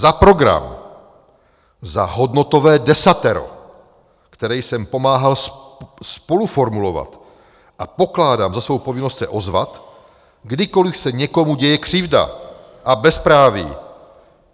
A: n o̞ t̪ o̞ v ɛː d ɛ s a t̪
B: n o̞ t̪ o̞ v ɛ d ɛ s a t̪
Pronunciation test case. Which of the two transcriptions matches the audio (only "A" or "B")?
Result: A